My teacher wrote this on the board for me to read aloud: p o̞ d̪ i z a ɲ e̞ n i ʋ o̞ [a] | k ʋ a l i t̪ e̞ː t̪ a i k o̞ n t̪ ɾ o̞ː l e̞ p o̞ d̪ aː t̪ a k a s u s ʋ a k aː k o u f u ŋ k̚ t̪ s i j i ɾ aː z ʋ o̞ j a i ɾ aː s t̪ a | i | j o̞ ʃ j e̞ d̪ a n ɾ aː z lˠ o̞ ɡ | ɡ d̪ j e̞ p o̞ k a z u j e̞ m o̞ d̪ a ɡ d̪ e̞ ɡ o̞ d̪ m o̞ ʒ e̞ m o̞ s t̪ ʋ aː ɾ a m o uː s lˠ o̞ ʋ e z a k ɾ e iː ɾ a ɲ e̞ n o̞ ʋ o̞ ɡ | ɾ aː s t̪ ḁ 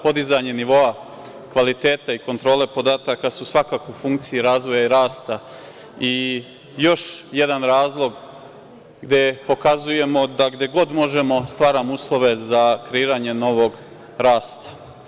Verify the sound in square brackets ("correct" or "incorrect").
correct